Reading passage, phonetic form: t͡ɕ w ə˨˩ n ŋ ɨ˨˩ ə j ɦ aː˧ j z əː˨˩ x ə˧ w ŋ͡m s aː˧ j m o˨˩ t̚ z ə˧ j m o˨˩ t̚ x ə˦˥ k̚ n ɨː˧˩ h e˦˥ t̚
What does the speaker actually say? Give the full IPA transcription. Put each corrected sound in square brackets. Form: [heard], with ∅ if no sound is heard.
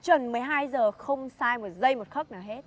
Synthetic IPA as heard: t͡ɕ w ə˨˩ n [m] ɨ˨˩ ə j ɦ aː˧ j z əː˨˩ x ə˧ w ŋ͡m s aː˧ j m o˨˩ t̚ z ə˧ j m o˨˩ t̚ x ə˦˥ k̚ n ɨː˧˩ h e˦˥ t̚